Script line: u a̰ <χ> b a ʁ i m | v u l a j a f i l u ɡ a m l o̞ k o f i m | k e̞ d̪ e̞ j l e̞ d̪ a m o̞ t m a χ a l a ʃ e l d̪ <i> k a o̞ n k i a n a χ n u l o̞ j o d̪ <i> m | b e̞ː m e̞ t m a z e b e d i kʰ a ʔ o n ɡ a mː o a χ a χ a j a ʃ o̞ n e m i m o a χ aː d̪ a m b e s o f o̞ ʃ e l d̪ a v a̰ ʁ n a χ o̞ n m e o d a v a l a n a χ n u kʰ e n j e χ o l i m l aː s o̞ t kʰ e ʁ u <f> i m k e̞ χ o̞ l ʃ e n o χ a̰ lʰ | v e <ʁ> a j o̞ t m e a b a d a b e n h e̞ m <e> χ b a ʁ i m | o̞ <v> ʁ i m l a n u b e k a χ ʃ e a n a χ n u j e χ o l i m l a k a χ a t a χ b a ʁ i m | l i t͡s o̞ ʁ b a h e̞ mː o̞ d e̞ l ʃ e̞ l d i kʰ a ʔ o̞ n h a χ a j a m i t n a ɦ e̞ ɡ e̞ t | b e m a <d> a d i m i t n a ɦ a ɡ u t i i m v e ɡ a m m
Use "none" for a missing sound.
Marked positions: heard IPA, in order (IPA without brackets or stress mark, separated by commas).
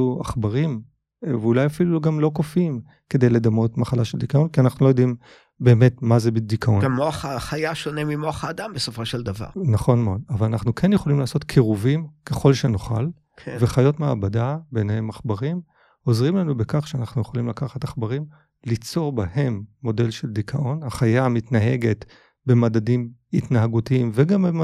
χ, i, i, v, χ, a, z, d